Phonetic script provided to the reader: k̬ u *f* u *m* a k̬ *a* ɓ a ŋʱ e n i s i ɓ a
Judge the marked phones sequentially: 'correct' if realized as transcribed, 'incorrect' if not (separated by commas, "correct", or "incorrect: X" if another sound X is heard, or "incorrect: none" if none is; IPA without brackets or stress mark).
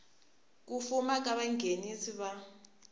correct, correct, correct